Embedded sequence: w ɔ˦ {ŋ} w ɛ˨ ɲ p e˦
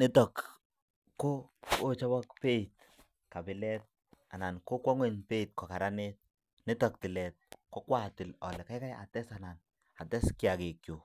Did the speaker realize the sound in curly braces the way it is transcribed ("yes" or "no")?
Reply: yes